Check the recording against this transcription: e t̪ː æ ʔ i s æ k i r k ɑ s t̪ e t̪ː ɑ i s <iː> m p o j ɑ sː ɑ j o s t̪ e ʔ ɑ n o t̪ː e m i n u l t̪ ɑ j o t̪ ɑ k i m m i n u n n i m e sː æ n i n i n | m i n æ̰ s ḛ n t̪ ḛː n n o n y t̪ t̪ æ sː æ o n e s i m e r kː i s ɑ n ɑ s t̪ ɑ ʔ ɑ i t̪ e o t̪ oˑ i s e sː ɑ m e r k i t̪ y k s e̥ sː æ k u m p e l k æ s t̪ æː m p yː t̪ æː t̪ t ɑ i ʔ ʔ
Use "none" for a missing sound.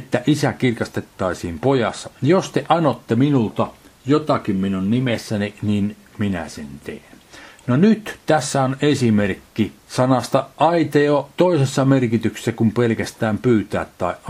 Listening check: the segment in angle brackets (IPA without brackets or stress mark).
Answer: iː